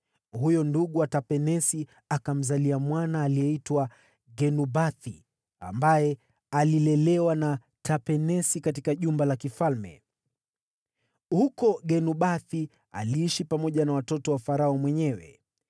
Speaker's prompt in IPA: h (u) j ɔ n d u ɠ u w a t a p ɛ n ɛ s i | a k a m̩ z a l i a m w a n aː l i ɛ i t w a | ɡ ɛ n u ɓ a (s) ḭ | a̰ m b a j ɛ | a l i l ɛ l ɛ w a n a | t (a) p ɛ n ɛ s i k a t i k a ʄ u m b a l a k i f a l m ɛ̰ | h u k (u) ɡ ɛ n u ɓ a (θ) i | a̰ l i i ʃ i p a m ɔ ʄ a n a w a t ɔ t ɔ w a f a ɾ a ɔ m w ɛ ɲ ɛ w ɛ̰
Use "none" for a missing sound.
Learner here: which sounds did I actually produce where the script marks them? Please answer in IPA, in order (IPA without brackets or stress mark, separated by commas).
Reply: u, θ, a, ɔ, θ